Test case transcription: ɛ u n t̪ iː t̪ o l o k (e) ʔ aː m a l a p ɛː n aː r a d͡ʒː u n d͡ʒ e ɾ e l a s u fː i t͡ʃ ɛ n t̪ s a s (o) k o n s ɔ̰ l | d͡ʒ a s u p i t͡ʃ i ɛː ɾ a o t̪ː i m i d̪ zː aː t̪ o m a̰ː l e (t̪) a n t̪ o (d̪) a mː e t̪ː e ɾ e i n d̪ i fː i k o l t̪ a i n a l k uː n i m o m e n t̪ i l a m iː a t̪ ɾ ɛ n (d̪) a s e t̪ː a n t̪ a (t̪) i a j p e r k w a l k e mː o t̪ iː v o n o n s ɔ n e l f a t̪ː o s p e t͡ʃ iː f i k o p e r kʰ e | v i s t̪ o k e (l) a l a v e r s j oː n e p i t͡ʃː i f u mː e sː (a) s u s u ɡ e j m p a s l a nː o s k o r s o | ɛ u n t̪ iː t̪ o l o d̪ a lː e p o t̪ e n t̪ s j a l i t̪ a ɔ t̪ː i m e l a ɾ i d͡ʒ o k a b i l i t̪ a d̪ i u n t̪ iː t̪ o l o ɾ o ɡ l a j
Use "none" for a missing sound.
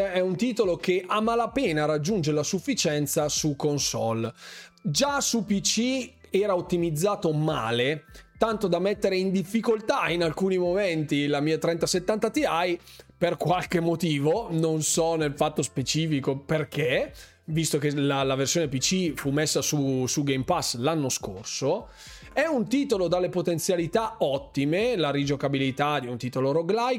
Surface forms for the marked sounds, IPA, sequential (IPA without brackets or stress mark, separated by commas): e, u, t̪, d̪, t̪, t̪, l, a